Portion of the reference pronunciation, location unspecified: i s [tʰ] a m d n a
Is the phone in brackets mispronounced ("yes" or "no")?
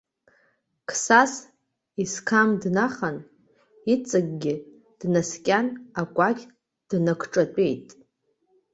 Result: yes